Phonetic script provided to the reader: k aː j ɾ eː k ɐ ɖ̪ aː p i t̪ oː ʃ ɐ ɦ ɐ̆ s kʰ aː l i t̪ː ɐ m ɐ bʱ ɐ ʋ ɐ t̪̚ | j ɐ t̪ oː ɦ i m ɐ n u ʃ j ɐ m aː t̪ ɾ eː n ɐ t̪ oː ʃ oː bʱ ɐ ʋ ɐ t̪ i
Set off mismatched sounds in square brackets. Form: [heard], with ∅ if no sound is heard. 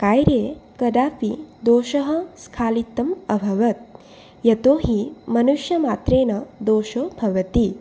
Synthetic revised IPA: k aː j ɾ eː k ɐ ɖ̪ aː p i [d̪] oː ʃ ɐ ɦ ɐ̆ s kʰ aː l i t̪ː ɐ m ɐ bʱ ɐ ʋ ɐ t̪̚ | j ɐ t̪ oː ɦ i m ɐ n u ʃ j ɐ m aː t̪ ɾ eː n ɐ [d̪] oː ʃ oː bʱ ɐ ʋ ɐ t̪ i